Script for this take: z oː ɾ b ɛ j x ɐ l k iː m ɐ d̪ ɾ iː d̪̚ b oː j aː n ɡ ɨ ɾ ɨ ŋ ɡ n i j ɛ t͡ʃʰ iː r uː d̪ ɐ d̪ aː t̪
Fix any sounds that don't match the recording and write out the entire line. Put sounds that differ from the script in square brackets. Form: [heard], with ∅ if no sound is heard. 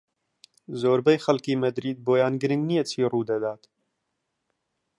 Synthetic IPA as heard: z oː ɾ b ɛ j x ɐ l k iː m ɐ d̪ ɾ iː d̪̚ b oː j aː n ɡ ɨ ɾ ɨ ŋ ɡ n i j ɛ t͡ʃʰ iː r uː d̪ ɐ d̪ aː t̪